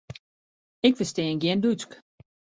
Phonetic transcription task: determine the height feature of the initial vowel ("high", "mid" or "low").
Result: high